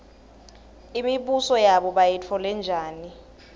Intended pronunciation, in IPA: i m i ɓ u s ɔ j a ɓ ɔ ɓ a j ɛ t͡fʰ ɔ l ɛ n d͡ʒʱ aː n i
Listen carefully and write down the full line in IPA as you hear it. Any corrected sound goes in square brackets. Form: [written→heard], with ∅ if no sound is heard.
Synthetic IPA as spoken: i m i ɓ u s ɔ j a ɓ ɔ ɓ a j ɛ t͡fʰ ɔ l ɛ n d͡ʒʱ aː n i